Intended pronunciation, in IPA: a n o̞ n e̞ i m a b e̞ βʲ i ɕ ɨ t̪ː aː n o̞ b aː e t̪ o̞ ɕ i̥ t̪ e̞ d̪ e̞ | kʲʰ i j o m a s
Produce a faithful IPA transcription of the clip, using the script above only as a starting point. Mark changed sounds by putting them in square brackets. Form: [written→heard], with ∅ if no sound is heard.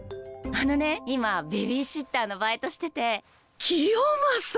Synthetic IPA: a n o̞ n e̞ i m a b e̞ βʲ i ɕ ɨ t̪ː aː n o̞ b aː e t̪ o̞ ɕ i̥ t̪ e̞ [d̪→t̪] e̞ | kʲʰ i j o m a s